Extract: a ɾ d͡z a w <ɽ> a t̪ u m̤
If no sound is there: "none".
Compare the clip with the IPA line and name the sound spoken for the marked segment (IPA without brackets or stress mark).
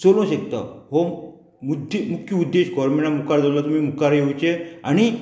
l